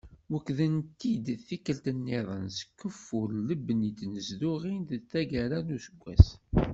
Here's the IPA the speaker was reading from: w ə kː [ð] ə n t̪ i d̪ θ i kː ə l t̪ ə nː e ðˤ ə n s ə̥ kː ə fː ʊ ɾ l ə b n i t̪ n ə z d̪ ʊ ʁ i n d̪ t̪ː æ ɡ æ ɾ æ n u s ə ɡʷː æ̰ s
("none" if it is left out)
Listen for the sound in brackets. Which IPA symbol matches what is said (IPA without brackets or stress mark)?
ð